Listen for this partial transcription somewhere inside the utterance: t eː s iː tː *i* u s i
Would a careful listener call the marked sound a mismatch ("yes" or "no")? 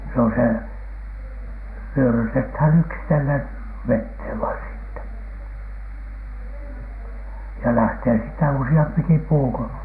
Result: yes